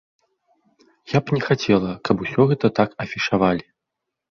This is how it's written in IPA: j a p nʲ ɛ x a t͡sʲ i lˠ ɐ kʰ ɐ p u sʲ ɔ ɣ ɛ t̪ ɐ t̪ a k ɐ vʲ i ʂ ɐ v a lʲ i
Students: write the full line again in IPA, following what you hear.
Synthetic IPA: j a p nʲ ɛ x a t͡sʲ ɛ lˠ ɐ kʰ ɐ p u sʲ ɔ ɣ ɛ t̪ ɐ t̪ a k ɐ fʲ i ʂ a v a lʲ i